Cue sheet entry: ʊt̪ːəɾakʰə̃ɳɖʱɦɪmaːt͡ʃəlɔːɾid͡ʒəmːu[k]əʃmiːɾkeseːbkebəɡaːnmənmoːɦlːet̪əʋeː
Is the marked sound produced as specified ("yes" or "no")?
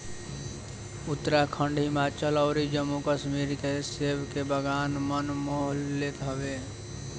yes